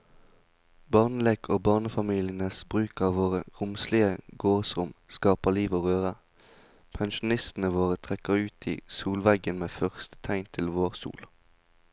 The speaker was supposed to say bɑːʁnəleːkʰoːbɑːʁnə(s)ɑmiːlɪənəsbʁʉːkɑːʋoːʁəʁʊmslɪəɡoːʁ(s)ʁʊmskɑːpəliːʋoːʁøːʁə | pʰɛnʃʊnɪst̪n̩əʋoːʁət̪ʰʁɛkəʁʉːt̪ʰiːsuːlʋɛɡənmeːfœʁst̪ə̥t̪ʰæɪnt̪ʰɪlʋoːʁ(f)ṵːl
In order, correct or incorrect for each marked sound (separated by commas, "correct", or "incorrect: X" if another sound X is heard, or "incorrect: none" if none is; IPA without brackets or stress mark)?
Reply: incorrect: f, correct, incorrect: s